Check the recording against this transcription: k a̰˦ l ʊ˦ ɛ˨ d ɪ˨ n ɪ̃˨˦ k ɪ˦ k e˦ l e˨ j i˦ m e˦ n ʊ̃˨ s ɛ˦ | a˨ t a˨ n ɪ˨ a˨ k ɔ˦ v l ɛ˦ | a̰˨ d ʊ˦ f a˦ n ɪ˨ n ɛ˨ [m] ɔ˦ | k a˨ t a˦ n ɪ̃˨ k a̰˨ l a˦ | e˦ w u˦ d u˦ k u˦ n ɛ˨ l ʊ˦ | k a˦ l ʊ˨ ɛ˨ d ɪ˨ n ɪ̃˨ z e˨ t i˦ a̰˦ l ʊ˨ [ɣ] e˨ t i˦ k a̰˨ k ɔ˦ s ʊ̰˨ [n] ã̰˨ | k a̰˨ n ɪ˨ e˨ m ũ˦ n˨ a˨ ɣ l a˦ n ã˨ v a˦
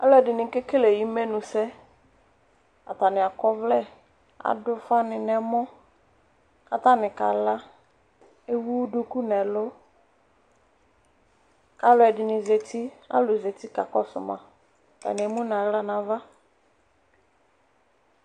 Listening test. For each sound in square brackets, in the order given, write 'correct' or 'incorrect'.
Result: correct, incorrect: z, incorrect: m

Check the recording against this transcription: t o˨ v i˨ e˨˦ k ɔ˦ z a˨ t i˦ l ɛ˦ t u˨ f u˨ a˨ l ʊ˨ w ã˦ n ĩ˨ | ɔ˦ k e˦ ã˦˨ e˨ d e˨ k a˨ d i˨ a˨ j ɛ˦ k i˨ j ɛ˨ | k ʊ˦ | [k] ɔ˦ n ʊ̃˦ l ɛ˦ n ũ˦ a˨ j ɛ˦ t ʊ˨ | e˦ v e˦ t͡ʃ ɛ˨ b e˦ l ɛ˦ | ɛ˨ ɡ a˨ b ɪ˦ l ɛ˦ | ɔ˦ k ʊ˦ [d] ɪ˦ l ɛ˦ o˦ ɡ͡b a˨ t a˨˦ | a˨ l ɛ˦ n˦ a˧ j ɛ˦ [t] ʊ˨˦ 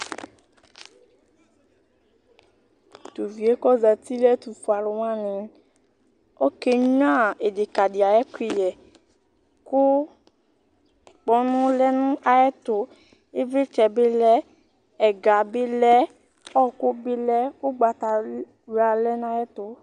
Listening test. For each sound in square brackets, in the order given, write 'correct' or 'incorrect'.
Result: incorrect: k͡p, incorrect: b, correct

